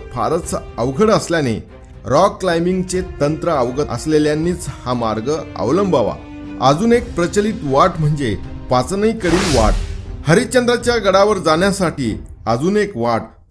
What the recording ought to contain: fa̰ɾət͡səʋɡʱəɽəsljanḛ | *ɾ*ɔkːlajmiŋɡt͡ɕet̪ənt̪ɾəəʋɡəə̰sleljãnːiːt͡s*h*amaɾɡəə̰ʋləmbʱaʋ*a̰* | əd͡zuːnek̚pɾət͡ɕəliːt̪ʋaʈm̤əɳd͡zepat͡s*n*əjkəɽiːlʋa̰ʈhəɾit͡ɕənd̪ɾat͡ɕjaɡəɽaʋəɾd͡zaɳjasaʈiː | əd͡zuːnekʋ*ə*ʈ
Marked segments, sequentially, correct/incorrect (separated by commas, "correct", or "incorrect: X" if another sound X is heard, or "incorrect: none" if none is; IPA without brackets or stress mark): correct, correct, correct, correct, incorrect: a